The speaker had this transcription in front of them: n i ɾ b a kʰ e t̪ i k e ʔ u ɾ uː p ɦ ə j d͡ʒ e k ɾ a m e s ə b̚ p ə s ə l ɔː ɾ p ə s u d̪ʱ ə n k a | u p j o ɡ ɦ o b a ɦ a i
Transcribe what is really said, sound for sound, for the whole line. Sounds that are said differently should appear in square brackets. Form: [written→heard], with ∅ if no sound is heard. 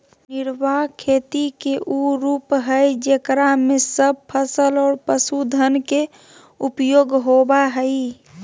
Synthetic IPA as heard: n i ɾ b a kʰ e t̪ i k e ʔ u ɾ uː p ɦ ə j d͡ʒ e k ɾ a m e s ə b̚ [p→pʰ] ə s ə l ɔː ɾ p ə s u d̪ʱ ə n k [a→e] | u p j o ɡ ɦ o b a ɦ [a→ə] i